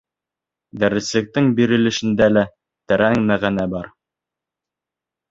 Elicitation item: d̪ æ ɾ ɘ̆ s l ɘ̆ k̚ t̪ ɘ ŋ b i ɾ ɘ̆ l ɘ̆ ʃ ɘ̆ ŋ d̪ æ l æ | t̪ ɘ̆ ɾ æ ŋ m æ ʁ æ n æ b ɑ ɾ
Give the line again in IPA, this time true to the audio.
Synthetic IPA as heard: d̪ æ ɾ ɘ̆ s l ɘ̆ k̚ t̪ ɘ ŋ b i ɾ ɘ̆ l ɘ̆ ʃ ɘ̆ n d̪ æ l æ | t̪ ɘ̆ ɾ æ ŋ m æ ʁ æ n æ b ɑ ɾ